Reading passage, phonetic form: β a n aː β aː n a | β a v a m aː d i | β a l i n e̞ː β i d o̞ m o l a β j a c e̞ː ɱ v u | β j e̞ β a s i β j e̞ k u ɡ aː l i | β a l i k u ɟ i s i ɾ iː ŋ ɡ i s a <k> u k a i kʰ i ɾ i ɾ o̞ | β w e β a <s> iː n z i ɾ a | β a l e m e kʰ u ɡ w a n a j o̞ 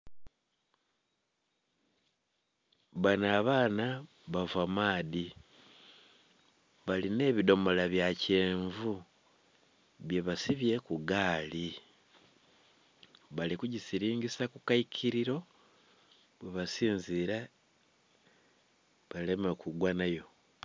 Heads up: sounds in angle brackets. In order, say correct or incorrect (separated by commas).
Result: correct, correct